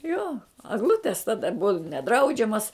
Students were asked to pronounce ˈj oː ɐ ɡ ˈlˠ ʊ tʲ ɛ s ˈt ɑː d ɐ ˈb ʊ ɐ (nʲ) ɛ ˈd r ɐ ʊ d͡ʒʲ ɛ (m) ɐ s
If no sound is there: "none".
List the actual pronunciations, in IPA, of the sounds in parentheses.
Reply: nʲ, m

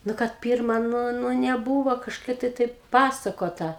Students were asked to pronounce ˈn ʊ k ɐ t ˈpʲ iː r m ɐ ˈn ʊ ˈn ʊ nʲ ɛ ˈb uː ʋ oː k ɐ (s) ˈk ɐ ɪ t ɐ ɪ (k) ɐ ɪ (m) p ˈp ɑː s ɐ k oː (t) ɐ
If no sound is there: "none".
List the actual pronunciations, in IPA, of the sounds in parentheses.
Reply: ʃ, t, none, t

